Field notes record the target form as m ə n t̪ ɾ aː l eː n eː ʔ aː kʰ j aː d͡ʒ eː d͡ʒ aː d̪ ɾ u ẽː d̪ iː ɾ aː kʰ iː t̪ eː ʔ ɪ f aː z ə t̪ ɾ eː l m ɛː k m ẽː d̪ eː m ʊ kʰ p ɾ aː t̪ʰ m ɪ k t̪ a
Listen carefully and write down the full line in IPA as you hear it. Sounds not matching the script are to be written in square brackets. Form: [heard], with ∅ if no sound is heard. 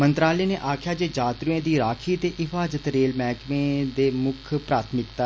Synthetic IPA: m ə n t̪ ɾ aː l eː n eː ʔ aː kʰ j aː d͡ʒ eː d͡ʒ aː [t̪] ɾ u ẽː d̪ iː ɾ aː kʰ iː t̪ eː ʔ ɪ f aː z ə t̪ ɾ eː l m ɛː k m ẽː d̪ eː m ʊ kʰ p ɾ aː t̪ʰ m ɪ k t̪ a

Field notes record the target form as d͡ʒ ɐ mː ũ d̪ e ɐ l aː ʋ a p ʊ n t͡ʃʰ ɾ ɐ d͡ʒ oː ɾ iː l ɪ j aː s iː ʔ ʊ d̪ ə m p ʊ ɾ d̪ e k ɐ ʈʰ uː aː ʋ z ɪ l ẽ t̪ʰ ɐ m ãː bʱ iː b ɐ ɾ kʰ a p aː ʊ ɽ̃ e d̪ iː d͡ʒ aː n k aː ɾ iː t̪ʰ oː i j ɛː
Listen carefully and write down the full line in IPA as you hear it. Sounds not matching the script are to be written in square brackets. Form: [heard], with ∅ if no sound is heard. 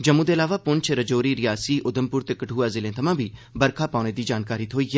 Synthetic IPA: d͡ʒ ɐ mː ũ d̪ e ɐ l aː ʋ a p ʊ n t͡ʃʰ ɾ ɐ d͡ʒ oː ɾ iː [ɾ] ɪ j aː s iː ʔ ʊ d̪ ə m p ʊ ɾ [t̪] e k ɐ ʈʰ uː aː [∅] z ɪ l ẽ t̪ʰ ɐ m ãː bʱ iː b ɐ ɾ kʰ a p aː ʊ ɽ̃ e d̪ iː d͡ʒ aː n k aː ɾ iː t̪ʰ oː i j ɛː

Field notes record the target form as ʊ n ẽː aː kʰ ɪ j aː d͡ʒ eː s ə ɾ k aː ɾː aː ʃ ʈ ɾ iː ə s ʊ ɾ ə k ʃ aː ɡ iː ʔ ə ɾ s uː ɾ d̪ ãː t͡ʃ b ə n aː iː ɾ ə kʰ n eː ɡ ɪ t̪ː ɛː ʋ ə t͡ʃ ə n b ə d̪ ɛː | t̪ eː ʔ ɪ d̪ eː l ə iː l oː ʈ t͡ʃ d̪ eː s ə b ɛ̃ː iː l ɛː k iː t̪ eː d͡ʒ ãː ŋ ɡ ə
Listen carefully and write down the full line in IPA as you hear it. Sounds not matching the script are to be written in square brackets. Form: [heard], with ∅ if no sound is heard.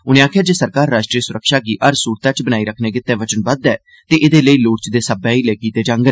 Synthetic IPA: ʊ n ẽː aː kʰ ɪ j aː d͡ʒ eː s ə ɾ k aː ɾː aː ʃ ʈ ɾ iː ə s ʊ ɾ ə k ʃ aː ɡ iː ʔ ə ɾ s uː ɾ [t̪] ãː t͡ʃ b ə n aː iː ɾ ə kʰ n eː ɡ ɪ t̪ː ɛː ʋ ə t͡ʃ ə n b ə d̪ ɛː | t̪ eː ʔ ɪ d̪ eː l ə iː l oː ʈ t͡ʃ d̪ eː s ə b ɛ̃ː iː l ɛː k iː t̪ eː d͡ʒ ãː ŋ ɡ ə

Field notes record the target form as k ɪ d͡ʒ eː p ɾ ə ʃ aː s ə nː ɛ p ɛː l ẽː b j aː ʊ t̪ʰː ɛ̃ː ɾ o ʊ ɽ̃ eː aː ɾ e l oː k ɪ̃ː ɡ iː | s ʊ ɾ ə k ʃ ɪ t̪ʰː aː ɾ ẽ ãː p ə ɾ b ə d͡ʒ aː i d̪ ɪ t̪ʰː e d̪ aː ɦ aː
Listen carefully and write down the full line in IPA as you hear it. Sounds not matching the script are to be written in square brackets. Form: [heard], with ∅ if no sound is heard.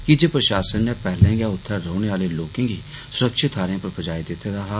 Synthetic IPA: k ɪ d͡ʒ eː p ɾ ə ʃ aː s ə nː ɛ p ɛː l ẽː [ɡ] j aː ʊ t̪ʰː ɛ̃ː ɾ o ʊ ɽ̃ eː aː [l] e l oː k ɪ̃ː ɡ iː | s ʊ ɾ ə k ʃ ɪ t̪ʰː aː ɾ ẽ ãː p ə ɾ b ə d͡ʒ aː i d̪ ɪ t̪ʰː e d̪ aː ɦ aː

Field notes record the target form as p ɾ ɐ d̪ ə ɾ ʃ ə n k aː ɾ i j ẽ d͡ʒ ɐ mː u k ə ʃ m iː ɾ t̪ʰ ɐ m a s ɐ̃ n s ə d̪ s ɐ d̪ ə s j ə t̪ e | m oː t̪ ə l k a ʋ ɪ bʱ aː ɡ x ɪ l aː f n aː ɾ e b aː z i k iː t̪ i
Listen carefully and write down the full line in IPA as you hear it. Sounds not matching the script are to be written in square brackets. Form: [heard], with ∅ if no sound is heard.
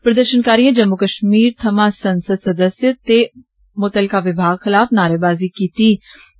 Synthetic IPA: p ɾ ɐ d̪ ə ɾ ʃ ə n k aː ɾ i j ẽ d͡ʒ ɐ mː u k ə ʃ m iː ɾ t̪ʰ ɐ m a s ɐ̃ n s ə d̪ s ɐ d̪ ə s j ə t̪ e | m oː t̪ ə l k a ʋ ɪ bʱ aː ɡ x ɪ l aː f n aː ɾ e b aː z i k iː t̪ i

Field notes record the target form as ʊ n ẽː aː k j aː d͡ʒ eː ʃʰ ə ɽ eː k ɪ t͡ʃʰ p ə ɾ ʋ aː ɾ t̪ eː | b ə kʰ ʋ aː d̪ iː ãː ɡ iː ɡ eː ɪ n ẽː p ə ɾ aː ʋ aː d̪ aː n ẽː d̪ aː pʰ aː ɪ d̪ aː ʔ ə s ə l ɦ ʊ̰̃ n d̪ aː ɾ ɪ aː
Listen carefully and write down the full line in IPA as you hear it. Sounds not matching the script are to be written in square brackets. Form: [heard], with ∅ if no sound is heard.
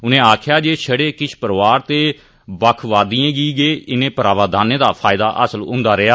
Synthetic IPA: ʊ n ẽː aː [kʰ] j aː d͡ʒ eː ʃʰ ə ɽ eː k ɪ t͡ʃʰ p ə ɾ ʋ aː ɾ t̪ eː | b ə kʰ ʋ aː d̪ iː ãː ɡ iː ɡ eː ɪ n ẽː p ə ɾ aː ʋ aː d̪ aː n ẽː d̪ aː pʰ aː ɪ d̪ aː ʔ ə s ə l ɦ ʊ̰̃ n d̪ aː ɾ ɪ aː

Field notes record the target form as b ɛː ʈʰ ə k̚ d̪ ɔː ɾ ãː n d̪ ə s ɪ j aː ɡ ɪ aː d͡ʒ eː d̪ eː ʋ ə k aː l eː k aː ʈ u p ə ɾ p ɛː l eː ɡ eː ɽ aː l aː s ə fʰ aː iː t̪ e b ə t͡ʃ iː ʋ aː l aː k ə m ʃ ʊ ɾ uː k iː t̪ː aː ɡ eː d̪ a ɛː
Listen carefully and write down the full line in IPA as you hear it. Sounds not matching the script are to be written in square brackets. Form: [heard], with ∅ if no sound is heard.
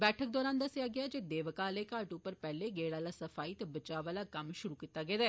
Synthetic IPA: b ɛː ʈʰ ə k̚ d̪ ɔː ɾ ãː n d̪ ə s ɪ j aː ɡ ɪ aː d͡ʒ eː d̪ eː ʋ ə k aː l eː k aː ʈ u p ə ɾ p ɛː l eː ɡ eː ɽ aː l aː s ə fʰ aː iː t̪ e b ə t͡ʃ [aː] ʋ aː l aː k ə m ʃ ʊ ɾ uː k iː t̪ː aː ɡ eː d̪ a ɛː

